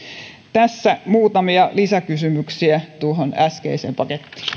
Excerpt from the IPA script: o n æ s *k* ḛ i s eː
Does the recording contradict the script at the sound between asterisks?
no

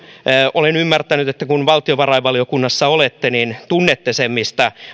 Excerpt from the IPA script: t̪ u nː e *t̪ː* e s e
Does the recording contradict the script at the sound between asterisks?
no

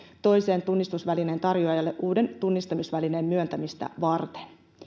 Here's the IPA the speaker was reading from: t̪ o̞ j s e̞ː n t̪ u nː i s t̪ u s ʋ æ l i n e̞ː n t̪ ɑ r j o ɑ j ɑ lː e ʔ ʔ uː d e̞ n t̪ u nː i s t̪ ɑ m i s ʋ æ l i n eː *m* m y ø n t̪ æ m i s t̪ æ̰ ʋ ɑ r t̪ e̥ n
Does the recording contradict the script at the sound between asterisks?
no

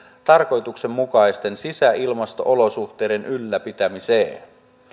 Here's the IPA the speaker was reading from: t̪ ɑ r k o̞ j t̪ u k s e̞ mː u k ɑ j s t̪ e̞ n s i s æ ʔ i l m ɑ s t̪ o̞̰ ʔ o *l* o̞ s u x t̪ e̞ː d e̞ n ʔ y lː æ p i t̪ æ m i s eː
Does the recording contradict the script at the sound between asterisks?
no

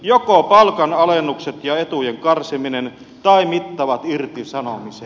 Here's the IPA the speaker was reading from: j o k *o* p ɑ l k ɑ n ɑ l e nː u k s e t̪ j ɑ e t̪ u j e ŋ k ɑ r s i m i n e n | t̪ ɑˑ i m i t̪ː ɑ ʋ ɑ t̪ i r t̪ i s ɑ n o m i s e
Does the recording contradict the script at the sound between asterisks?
no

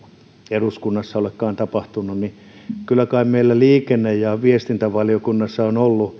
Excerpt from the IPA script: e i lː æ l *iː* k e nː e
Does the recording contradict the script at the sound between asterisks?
no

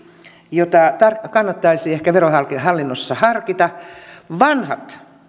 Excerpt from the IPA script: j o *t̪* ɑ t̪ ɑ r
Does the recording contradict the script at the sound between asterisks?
no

